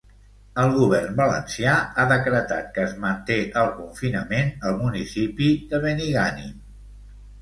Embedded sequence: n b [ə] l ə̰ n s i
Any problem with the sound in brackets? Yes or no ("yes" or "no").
no